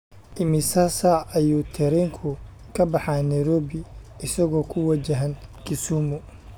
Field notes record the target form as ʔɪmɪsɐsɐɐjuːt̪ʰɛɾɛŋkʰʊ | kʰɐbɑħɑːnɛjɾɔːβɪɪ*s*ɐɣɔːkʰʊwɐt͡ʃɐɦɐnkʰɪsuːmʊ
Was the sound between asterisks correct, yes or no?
yes